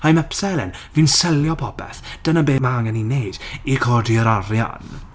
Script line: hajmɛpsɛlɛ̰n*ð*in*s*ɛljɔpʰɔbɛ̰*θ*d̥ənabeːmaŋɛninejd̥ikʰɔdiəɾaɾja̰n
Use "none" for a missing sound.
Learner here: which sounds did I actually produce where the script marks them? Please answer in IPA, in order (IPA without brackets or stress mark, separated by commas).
v, s, θ